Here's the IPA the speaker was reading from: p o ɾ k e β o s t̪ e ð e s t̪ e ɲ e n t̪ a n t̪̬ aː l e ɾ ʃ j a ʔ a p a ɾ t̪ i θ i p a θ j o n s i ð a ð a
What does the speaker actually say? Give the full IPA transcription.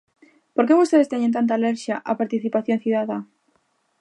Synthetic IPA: p o ɾ k e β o s t̪ e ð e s t̪ e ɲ e n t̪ a n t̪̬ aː l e ɾ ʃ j a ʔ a p a ɾ t̪ i θ i p a θ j o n θ i ð a ð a